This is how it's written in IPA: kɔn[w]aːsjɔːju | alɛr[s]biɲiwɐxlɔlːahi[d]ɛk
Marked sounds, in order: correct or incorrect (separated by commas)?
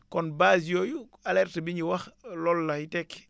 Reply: incorrect, incorrect, incorrect